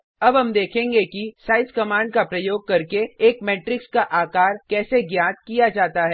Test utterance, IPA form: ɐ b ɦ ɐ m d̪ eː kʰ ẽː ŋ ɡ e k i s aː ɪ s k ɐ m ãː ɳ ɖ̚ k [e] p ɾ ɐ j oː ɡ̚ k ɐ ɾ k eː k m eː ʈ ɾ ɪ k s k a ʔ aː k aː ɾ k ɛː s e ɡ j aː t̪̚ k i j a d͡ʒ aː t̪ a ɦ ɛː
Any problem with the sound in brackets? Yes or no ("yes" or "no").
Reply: yes